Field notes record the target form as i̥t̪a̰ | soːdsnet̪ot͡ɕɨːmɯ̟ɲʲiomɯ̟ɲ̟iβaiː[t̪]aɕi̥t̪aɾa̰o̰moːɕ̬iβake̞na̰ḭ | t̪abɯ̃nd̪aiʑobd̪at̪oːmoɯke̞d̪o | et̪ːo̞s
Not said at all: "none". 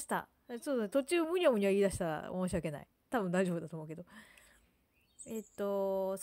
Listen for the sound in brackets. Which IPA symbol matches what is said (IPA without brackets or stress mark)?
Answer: d̪